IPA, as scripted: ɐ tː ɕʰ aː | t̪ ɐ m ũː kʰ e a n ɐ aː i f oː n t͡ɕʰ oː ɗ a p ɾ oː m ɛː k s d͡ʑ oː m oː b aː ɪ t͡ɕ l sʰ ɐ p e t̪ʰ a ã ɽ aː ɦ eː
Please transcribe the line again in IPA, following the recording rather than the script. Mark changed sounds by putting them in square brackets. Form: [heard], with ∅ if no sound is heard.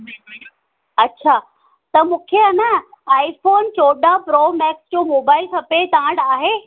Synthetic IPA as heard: ɐ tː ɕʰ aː | t̪ ɐ m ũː kʰ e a n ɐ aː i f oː n [t͡ɕ] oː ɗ a p ɾ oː m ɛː k s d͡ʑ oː m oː b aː ɪ [∅] l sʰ ɐ p e [t̪] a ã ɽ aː ɦ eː

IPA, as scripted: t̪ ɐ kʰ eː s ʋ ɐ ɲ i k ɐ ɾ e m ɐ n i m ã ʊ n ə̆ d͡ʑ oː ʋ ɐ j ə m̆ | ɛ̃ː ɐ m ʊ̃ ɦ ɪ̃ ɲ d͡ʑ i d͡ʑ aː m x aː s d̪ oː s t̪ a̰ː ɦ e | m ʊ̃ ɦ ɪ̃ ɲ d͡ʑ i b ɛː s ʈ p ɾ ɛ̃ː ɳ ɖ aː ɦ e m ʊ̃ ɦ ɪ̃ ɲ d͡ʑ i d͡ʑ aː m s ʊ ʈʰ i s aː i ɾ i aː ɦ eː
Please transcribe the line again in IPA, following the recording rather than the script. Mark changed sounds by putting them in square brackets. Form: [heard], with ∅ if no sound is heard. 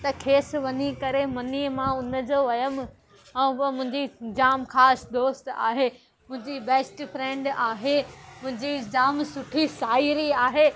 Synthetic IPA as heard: t̪ ɐ kʰ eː s ʋ ɐ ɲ i k ɐ ɾ e m ɐ n i m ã ʊ n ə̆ d͡ʑ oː ʋ ɐ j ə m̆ | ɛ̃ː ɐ m ʊ̃ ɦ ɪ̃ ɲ d͡ʑ i d͡ʑ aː m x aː s d̪ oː s t̪ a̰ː ɦ e | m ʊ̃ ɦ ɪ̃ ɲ d͡ʑ i b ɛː s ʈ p ɾ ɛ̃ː ɳ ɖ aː ɦ e m ʊ̃ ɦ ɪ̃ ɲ d͡ʑ i d͡ʑ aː m s ʊ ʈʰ i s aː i ɾ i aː ɦ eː

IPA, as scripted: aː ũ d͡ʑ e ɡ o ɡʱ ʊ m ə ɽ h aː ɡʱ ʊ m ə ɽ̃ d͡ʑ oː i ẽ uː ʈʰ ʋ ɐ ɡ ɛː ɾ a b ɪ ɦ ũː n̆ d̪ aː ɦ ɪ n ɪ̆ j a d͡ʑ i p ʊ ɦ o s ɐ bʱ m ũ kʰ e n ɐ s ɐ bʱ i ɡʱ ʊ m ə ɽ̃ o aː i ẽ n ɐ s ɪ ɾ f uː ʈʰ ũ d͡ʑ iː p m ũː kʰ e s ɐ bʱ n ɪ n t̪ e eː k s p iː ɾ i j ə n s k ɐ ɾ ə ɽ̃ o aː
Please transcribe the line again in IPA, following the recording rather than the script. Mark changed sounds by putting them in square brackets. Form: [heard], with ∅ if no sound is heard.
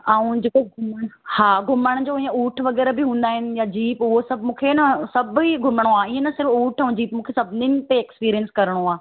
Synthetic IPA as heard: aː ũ d͡ʑ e [k] o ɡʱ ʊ m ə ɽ h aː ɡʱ ʊ m ə ɽ̃ d͡ʑ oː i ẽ uː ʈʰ ʋ ɐ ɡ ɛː ɾ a b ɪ ɦ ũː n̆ d̪ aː ɦ ɪ n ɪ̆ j a d͡ʑ [iː] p ʊ ɦ o s ɐ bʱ m [ũː] kʰ e n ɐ s ɐ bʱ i ɡʱ ʊ m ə ɽ̃ o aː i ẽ n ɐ s ɪ ɾ f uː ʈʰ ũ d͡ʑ iː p m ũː kʰ e s ɐ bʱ n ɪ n t̪ e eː k s p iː ɾ i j ə n s k ɐ ɾ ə ɽ̃ o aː

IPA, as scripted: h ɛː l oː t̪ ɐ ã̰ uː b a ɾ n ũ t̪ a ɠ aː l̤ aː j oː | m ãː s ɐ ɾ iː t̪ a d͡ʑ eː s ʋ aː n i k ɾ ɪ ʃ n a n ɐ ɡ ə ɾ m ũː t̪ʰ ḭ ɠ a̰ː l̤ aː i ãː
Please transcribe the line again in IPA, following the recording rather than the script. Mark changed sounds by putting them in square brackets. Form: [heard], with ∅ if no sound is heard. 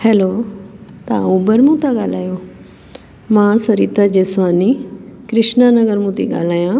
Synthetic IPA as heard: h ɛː l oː t̪ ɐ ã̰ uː b [ə] ɾ [m] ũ t̪ a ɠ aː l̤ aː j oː | m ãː s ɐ ɾ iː t̪ a d͡ʑ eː s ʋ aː n i k ɾ ɪ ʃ n a n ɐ ɡ ə ɾ m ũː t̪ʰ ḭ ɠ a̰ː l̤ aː [j] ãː

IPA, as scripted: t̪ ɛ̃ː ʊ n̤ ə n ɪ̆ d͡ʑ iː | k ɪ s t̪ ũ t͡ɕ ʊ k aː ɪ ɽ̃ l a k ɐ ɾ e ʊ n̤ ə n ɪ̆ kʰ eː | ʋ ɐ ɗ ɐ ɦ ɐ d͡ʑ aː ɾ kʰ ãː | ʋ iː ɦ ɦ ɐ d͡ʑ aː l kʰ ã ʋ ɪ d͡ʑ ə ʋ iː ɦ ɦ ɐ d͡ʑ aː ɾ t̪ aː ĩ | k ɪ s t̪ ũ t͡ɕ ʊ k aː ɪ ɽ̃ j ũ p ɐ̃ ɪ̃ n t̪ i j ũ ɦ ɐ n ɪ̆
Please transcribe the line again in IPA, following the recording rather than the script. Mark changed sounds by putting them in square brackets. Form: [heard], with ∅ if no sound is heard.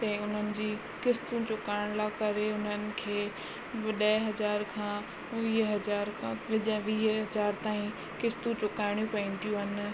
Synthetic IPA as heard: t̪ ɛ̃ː ʊ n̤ ə n ɪ̆ d͡ʑ iː | k ɪ s t̪ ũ t͡ɕ ʊ k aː ɪ ɽ̃ l a k ɐ ɾ e ʊ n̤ ə n ɪ̆ kʰ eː | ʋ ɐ ɗ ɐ ɦ ɐ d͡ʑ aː ɾ kʰ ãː | ʋ iː ɦ ɦ ɐ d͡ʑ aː [ɾ] kʰ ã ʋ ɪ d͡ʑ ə ʋ iː ɦ ɦ ɐ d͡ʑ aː ɾ t̪ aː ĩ | k ɪ s t̪ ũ t͡ɕ ʊ k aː ɪ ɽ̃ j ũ p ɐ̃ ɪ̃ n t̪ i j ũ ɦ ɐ n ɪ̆

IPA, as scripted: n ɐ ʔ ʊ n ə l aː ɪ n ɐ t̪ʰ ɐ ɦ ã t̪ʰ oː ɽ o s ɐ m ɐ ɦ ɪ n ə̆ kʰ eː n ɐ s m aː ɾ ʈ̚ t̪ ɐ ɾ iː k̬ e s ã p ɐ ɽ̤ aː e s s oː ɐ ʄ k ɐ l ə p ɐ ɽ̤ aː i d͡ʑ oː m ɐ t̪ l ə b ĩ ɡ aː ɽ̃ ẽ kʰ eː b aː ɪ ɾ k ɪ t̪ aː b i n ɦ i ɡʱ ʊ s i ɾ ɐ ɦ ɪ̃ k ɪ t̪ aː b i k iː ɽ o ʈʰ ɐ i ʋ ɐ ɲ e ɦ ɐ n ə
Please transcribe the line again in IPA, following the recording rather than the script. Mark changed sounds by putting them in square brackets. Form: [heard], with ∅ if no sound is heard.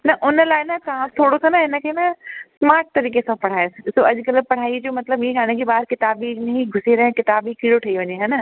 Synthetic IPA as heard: n ɐ ʔ ʊ n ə l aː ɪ n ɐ [t̪] ɐ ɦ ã t̪ʰ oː ɽ o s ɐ [n] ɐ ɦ ɪ n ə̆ kʰ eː n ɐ s m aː ɾ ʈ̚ t̪ ɐ ɾ iː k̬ e s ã p ɐ ɽ̤ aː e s s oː ɐ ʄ k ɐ l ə p ɐ ɽ̤ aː i d͡ʑ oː m ɐ t̪ l ə b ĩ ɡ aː ɽ̃ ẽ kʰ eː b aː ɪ ɾ k ɪ t̪ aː b i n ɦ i ɡʱ ʊ s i ɾ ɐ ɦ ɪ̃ k ɪ t̪ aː b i k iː ɽ o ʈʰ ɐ i ʋ ɐ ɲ e ɦ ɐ n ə

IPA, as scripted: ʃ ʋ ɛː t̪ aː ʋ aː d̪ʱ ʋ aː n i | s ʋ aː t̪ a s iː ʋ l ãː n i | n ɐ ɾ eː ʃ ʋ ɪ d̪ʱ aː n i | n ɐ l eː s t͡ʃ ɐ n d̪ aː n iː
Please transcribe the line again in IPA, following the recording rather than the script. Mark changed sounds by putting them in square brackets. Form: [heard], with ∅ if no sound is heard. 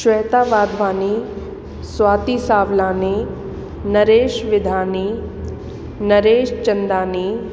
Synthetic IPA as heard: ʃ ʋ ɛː t̪ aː ʋ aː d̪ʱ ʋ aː n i | s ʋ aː t̪ [i] s [aː] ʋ l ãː n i | n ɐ ɾ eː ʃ ʋ ɪ d̪ʱ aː n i | n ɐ [ɾ] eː [ʃ] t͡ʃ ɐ n d̪ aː n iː

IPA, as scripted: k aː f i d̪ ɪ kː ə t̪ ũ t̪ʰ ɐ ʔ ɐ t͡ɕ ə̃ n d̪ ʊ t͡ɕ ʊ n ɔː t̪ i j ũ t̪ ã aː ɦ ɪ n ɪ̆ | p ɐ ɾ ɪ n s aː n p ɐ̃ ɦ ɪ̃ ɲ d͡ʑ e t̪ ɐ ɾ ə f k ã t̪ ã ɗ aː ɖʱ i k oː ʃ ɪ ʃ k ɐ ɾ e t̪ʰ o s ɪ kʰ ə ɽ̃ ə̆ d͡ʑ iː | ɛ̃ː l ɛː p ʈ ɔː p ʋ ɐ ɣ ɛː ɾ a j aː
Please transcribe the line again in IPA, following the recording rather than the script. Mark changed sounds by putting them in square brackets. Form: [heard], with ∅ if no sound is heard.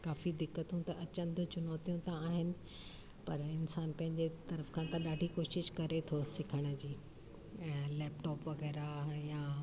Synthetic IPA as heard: k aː f i d̪ ɪ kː ə t̪ ũ [t̪] ɐ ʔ ɐ t͡ɕ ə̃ n d̪ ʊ t͡ɕ ʊ n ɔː t̪ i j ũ t̪ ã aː ɦ ɪ n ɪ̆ | p ɐ ɾ ɪ n s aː n p ɐ̃ ɦ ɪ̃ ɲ d͡ʑ e t̪ ɐ ɾ ə f [kʰ] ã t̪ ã ɗ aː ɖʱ i k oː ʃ ɪ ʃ k ɐ ɾ e t̪ʰ o s ɪ kʰ ə ɽ̃ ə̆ d͡ʑ iː | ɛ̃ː l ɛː p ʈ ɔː p ʋ ɐ ɣ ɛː ɾ a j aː

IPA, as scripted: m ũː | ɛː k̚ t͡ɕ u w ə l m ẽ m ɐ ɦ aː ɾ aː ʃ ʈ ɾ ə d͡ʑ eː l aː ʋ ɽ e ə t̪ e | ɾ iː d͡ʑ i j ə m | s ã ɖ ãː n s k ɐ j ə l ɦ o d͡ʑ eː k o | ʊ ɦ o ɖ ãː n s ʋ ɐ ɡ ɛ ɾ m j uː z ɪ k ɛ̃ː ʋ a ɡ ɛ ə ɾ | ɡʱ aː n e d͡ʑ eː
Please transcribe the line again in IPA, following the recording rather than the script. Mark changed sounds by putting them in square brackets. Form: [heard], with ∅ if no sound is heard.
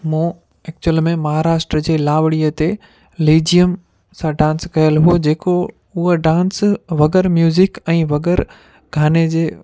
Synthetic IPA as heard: m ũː | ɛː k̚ t͡ɕ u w ə l m ẽ m ɐ ɦ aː ɾ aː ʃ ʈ ɾ ə d͡ʑ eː l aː ʋ ɽ [i] ə t̪ e | [l] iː d͡ʑ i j ə m | s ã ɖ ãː n s k ɐ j ə l ɦ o d͡ʑ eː k o | ʊ ɦ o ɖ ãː n s ʋ ɐ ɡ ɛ ɾ m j uː z ɪ k ɛ̃ː ʋ [ɐ] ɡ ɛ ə ɾ | ɡʱ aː n e d͡ʑ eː

